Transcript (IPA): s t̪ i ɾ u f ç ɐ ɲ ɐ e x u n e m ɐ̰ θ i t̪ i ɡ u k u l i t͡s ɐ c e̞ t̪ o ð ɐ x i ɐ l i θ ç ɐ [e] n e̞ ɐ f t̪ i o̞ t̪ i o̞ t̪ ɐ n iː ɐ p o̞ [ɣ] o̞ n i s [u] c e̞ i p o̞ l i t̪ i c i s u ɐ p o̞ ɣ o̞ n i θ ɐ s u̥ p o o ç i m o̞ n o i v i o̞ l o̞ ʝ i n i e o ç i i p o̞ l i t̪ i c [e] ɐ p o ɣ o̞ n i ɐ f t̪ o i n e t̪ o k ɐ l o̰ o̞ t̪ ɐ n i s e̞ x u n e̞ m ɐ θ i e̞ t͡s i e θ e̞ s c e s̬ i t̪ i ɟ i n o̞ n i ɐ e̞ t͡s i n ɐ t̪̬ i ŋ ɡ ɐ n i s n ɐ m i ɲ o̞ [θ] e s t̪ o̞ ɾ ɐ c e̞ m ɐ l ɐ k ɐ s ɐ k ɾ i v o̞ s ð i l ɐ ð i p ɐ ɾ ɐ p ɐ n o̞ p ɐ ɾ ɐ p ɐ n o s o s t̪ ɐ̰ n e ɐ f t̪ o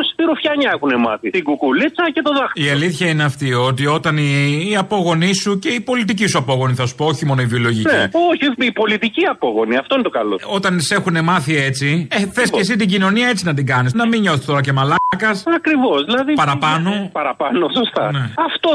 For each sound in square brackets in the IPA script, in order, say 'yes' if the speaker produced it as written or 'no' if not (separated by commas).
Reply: no, yes, yes, no, yes